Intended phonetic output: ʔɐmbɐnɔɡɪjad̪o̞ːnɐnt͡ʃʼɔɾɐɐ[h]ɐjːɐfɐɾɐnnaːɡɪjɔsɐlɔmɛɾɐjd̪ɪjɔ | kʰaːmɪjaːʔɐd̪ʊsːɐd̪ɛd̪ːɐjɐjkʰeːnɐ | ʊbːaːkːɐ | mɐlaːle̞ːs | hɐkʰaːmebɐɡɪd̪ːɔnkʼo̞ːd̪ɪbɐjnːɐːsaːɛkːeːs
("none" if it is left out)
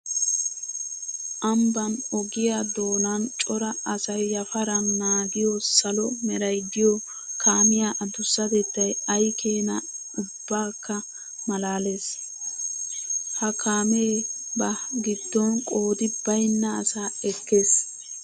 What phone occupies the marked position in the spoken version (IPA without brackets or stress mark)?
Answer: s